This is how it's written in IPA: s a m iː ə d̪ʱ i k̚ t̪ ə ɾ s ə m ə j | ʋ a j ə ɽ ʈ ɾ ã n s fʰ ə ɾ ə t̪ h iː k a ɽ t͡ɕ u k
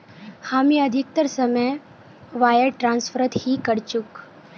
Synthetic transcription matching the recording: h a m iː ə d̪ʱ i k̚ t̪ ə ɾ s ə m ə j | ʋ a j ə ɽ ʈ ɾ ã n s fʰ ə ɾ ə t̪ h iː k ə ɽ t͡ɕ u k